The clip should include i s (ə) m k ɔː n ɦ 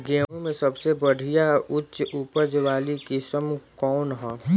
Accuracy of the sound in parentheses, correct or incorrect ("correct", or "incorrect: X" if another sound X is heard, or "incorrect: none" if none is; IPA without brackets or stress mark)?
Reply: correct